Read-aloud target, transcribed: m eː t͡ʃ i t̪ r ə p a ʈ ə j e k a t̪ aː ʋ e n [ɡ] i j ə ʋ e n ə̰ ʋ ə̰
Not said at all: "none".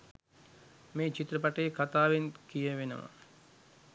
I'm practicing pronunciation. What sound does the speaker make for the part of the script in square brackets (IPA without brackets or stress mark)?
k